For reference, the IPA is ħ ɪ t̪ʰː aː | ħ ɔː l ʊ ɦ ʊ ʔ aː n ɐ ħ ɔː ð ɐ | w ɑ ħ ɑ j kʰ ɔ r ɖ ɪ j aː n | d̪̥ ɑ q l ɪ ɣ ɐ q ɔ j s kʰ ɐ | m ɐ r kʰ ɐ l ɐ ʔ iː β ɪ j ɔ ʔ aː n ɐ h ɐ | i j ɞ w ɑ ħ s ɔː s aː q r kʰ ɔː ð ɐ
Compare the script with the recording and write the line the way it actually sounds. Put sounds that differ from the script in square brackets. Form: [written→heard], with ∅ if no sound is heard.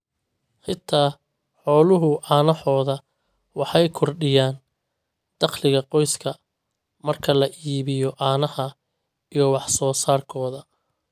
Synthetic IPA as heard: ħ ɪ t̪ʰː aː | ħ ɔː l ʊ ɦ ʊ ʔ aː n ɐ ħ ɔː ð ɐ | w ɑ ħ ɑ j kʰ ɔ r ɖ ɪ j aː n | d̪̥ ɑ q l ɪ ɣ ɐ q ɔ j s kʰ ɐ | m ɐ r kʰ ɐ l ɐ ʔ iː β ɪ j ɔ ʔ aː n ɐ h ɐ | i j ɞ w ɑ ħ s ɔː s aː [q→∅] r kʰ ɔː ð ɐ